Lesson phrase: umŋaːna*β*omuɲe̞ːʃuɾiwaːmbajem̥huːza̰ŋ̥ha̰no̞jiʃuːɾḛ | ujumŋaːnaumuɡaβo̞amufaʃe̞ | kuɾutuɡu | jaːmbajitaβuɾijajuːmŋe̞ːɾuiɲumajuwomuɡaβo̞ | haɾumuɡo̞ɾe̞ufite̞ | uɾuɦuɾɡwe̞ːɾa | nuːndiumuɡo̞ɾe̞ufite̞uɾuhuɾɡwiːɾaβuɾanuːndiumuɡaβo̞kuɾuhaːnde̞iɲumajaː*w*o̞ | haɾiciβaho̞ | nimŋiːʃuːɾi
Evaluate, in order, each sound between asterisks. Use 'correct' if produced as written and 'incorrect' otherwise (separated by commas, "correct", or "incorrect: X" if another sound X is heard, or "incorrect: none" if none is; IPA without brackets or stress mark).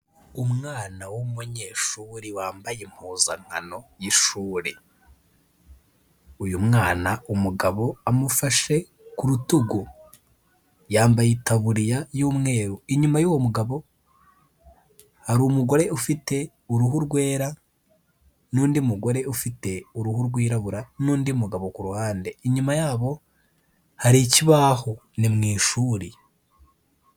incorrect: w, incorrect: β